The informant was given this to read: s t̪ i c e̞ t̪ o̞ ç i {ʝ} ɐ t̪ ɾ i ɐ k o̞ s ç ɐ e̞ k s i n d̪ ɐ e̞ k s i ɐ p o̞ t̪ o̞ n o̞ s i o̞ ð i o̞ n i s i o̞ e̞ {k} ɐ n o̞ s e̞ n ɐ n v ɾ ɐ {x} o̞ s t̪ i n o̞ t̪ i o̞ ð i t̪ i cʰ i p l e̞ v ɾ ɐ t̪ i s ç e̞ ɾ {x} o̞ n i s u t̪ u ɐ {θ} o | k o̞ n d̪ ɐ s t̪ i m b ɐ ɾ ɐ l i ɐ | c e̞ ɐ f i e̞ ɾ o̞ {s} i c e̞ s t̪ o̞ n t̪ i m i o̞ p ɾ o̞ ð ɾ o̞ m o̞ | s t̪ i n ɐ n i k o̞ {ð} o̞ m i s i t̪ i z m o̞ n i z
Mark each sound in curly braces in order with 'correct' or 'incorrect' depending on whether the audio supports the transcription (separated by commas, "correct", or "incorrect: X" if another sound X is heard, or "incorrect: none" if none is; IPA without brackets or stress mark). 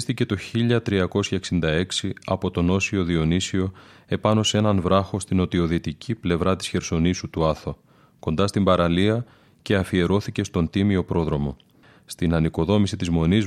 incorrect: ʎ, incorrect: p, correct, incorrect: s, correct, incorrect: θ, correct